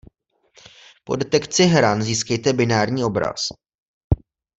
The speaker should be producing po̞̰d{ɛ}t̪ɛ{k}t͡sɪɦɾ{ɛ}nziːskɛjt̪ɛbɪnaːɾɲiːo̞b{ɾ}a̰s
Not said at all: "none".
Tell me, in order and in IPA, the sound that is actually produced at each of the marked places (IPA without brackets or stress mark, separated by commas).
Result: ɛ, k, a, ɾ